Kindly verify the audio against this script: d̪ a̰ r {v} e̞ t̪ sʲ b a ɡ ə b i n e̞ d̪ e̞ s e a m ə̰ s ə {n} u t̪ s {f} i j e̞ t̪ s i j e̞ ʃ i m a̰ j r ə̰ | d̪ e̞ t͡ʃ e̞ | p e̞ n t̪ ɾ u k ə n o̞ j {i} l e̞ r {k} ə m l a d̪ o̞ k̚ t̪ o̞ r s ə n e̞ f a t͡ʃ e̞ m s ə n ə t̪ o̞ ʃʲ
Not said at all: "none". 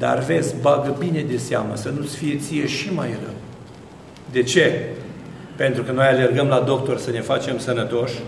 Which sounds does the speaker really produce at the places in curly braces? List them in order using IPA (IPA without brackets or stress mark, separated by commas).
v, n, f, a, ɡ